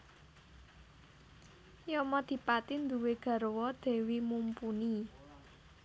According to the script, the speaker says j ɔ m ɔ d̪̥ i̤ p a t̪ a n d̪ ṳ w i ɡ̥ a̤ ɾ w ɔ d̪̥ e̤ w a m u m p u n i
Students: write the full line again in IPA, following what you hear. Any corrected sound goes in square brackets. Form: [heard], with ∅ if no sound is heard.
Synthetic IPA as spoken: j ɔ m ɔ d̪̥ i̤ p a t̪ [i] n d̪ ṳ w [e] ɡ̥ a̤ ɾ w ɔ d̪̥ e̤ w [i] m u m p u n i